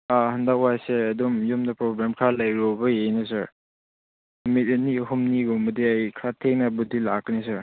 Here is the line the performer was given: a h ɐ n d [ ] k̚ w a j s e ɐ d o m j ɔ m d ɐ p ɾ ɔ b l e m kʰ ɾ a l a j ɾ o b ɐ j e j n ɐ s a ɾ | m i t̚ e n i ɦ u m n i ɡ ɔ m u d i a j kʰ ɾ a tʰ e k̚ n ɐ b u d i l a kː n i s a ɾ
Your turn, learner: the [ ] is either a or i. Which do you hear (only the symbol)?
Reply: a